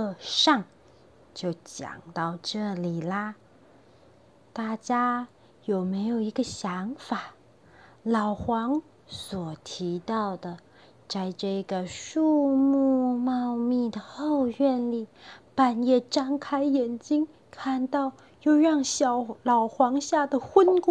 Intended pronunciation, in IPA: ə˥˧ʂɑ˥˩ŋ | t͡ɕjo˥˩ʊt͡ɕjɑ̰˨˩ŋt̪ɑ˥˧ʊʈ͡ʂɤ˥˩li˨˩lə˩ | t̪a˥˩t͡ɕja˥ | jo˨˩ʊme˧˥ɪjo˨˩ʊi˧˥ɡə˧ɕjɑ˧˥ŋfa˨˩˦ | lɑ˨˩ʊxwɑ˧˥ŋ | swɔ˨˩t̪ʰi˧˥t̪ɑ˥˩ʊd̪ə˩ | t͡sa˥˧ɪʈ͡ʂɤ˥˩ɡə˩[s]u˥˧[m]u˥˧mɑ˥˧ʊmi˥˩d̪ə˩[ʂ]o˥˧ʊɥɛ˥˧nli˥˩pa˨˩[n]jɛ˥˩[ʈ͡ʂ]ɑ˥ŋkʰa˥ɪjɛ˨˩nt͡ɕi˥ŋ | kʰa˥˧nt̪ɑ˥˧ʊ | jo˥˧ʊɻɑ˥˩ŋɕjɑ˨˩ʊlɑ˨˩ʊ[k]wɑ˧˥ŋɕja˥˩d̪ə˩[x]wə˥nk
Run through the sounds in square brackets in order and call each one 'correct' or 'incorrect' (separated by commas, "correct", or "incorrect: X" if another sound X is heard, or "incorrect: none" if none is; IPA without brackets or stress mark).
incorrect: ʂ, correct, incorrect: x, correct, correct, incorrect: x, correct